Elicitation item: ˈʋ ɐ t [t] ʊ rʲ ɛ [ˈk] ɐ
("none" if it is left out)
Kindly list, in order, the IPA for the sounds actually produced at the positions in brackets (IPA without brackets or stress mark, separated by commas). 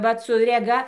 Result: s, ɡ